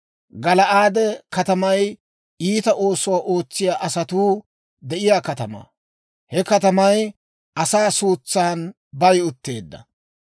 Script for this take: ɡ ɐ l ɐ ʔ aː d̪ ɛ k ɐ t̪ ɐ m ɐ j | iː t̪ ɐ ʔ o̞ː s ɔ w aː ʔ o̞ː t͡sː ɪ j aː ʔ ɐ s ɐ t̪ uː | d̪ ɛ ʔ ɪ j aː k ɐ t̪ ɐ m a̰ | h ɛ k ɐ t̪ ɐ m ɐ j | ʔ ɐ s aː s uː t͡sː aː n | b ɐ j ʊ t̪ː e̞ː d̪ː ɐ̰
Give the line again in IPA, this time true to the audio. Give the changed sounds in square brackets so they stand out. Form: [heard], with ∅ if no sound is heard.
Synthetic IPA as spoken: ɡ ɐ l ɐ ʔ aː d̪ ɛ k ɐ t̪ ɐ m ɐ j | iː t̪ ɐ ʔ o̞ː s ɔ w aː ʔ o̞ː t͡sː ɪ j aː ʔ ɐ s ɐ t̪ uː | d̪ ɛ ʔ ɪ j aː k ɐ t̪ ɐ m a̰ | h ɛ k ɐ t̪ ɐ m ɐ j | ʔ ɐ s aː s uː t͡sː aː n | b ɐ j ʊ t̪ː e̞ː d̪ː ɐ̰